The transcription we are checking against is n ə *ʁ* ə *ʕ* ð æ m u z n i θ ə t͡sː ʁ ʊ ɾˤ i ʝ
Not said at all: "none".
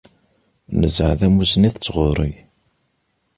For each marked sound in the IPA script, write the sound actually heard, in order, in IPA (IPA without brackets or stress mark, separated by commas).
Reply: z, ʕ